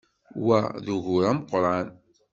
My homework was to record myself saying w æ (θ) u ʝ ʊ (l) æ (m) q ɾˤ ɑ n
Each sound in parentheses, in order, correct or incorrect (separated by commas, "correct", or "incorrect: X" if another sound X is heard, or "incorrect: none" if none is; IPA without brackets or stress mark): incorrect: ð, incorrect: ɾ, correct